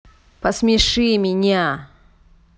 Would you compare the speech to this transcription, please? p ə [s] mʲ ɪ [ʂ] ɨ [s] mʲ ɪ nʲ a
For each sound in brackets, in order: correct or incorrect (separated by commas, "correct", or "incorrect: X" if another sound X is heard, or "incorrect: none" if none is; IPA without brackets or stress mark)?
correct, correct, incorrect: none